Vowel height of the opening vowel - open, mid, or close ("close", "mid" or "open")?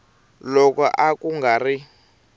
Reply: mid